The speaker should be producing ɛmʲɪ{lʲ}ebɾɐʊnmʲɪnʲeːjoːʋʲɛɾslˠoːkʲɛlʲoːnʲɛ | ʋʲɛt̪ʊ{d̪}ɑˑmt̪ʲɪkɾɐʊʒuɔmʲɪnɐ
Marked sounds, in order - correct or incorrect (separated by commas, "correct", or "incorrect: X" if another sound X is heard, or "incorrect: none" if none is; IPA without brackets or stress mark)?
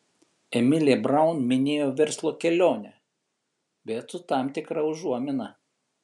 correct, incorrect: t̪